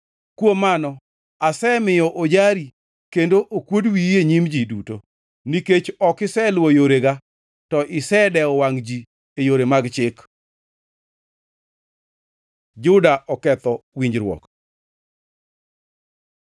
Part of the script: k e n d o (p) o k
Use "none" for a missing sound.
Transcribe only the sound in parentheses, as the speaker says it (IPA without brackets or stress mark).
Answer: ʔ